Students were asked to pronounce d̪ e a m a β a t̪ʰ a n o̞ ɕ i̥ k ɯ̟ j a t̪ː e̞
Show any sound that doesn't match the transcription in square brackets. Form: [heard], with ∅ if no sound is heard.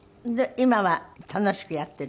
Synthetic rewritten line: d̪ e [i] m a β a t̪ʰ a n o̞ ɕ i̥ k ɯ̟ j a t̪ː e̞

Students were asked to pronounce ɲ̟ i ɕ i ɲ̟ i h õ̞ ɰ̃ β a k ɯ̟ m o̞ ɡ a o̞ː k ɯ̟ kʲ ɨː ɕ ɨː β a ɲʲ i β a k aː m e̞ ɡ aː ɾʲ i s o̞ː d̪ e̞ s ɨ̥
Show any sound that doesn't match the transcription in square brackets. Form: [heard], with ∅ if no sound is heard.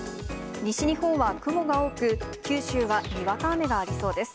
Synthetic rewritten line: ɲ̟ i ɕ i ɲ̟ i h õ̞ ɰ̃ β a k ɯ̟ m o̞ ɡ a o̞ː k ɯ̟ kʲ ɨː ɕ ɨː β a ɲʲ i β a k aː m e̞ ɡ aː ɾʲ i s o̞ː d̪ e̞ s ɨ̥

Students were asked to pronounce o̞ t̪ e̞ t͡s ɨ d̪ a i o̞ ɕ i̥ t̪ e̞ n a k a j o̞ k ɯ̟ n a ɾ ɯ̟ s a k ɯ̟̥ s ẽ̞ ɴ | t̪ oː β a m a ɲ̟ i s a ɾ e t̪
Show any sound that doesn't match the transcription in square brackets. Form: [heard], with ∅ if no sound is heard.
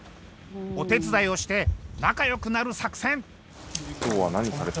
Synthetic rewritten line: o̞ t̪ e̞ t͡s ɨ d̪ a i o̞ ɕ i̥ t̪ e̞ n a k a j o̞ k ɯ̟ n a ɾ ɯ̟ s a k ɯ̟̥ s ẽ̞ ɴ | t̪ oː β a [n] a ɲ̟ i s a ɾ e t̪

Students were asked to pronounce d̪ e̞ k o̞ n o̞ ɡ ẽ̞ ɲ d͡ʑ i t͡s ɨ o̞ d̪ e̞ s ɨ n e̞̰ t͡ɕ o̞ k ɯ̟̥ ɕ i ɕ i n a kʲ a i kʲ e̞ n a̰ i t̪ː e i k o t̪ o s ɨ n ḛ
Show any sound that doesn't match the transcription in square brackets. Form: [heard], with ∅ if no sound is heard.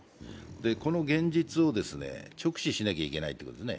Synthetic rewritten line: d̪ e̞ k o̞ n o̞ ɡ ẽ̞ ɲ d͡ʑ i t͡s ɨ o̞ d̪ e̞ s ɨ n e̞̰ t͡ɕ o̞ k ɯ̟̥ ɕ i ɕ i n a kʲ a i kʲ e̞ n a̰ i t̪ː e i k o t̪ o s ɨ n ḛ

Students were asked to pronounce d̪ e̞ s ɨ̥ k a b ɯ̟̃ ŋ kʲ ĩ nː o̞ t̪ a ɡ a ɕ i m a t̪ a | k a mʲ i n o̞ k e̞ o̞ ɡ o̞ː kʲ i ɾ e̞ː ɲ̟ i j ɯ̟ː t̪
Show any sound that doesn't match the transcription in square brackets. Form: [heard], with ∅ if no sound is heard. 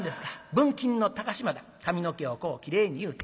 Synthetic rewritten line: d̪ e̞ s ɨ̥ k a b ɯ̟̃ ŋ kʲ ĩ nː o̞ t̪ a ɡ a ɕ i m a [d̪] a | k a mʲ i n o̞ k e̞ o̞ [k] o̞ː kʲ i ɾ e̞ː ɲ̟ i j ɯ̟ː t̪

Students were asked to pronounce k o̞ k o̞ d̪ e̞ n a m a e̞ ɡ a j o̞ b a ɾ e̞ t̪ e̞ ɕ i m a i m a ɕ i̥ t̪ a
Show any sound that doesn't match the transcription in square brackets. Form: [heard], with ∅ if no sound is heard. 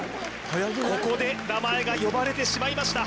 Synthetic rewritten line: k o̞ k o̞ d̪ e̞ n a m a e̞ ɡ a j o̞ b a ɾ e̞ t̪ e̞ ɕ i m a i m a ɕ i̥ t̪ a

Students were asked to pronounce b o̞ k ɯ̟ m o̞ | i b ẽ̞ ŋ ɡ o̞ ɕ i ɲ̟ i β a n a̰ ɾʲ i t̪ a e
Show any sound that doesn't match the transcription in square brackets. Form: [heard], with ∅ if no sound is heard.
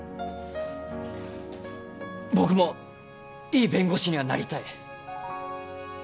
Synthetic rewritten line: b o̞ k ɯ̟ m o̞ | [iː] b ẽ̞ ŋ ɡ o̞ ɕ i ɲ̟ i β a n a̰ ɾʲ i t̪ a [i]

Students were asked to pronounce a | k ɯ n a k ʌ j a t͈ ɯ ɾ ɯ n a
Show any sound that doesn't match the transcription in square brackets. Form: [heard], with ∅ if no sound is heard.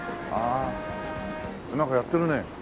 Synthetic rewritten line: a | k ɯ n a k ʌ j a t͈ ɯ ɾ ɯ n [e]

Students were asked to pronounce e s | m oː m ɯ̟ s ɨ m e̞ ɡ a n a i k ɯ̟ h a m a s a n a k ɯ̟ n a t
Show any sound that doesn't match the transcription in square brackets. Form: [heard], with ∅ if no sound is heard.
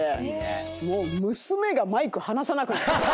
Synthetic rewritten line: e [∅] | m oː m ɯ̟ s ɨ m e̞ ɡ a [m] a i k ɯ̟ h a [n] a s a n a k ɯ̟ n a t

